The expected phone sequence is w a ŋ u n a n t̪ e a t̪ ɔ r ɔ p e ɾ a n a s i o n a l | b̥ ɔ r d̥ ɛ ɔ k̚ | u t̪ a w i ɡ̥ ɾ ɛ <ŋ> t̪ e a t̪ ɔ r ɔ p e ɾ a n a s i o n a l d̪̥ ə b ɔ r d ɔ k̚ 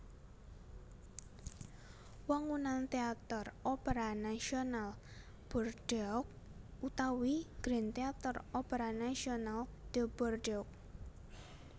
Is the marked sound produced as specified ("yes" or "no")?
no